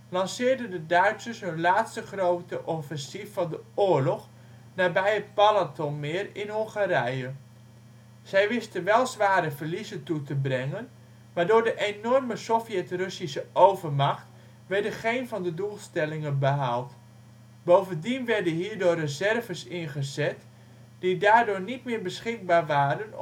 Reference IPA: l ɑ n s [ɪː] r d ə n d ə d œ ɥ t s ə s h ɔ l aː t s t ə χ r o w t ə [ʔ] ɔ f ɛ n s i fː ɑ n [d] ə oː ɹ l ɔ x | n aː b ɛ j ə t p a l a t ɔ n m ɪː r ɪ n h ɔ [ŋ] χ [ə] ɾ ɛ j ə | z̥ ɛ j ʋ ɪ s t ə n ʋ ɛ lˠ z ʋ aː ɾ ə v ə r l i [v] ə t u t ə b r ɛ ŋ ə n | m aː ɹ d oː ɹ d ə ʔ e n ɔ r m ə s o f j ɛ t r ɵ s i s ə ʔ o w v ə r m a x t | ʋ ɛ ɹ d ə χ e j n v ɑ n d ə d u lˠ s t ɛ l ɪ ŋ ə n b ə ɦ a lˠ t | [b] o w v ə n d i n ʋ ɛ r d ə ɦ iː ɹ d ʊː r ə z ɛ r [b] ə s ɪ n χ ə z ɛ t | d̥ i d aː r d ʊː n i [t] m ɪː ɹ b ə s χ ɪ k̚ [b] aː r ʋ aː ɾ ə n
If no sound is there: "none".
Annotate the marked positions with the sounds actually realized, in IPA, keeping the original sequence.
ɪː, ʔ, d, ŋ, a, z, b, v, t, b

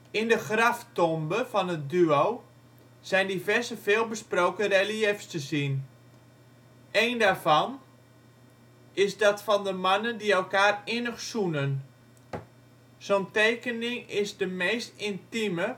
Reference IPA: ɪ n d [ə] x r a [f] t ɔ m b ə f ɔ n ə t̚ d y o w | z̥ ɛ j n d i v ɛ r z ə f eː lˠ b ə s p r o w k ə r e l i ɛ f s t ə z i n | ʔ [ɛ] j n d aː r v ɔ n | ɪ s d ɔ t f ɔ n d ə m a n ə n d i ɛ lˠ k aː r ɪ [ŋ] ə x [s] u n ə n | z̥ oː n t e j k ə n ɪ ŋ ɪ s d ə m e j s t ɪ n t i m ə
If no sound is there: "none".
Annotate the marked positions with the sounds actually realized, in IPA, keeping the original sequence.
ə, f, e, n, s

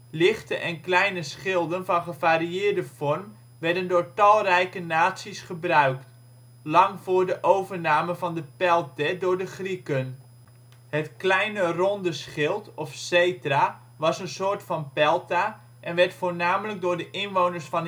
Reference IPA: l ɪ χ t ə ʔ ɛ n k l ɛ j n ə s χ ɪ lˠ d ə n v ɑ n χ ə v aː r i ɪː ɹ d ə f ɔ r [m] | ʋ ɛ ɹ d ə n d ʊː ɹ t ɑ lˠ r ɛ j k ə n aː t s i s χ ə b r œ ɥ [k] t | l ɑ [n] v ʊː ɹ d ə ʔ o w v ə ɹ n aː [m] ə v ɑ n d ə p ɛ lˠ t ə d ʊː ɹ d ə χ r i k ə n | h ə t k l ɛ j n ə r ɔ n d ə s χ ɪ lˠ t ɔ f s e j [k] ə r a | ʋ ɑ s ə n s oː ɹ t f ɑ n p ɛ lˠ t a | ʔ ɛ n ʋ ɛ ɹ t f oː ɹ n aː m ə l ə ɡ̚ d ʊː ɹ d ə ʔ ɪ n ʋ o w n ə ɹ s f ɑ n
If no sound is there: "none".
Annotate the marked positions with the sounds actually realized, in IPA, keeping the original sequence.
m, k, ŋ, m, t

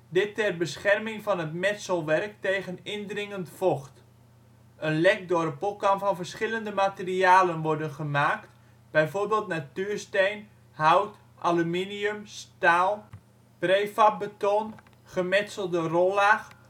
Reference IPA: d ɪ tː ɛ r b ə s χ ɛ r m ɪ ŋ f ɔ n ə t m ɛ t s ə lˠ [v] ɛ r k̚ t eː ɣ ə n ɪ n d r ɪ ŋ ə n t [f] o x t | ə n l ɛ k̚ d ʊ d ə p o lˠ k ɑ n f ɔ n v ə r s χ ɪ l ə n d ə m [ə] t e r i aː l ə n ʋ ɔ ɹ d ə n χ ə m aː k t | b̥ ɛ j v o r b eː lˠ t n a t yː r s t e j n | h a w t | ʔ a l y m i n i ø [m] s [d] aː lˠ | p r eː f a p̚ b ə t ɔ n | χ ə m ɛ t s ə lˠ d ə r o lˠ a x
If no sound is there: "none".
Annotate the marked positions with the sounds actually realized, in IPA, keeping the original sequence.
ʋ, f, a, m, t

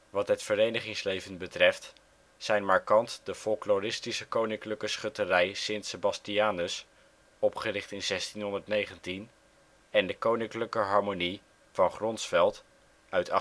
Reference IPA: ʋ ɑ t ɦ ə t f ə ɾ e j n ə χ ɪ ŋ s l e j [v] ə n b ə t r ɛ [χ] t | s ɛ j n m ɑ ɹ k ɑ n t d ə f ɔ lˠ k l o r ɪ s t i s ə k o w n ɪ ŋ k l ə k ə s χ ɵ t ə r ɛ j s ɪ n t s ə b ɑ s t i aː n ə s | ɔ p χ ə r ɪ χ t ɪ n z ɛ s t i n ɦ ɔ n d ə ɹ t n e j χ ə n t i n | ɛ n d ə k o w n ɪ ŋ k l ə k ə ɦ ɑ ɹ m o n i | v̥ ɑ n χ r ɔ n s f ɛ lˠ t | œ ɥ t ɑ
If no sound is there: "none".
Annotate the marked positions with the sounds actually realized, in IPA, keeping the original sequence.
v, f

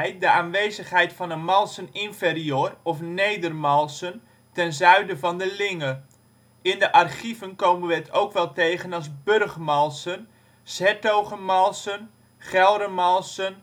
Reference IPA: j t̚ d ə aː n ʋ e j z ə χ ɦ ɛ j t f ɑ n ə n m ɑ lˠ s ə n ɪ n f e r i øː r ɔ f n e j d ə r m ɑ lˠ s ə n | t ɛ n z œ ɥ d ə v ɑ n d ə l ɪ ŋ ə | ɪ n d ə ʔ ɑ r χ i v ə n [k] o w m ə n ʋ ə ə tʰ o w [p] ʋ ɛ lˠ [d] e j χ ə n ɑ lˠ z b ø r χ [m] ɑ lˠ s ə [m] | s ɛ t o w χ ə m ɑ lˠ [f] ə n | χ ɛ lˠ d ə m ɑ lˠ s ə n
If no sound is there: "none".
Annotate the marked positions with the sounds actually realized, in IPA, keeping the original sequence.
k, k, t, m, n, s

